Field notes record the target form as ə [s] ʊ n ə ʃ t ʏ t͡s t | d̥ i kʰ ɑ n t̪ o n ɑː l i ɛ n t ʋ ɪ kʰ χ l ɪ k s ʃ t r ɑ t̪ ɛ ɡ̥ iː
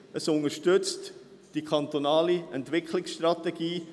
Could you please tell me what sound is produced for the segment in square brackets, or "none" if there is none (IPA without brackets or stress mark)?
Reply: s